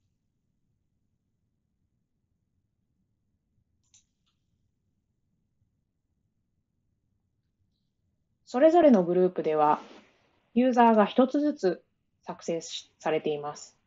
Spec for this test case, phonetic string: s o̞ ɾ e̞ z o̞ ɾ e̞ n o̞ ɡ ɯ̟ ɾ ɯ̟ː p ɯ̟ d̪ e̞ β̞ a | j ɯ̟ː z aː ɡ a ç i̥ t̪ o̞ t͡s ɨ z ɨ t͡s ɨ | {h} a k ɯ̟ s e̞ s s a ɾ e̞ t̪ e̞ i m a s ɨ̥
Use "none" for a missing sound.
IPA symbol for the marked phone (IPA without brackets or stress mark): s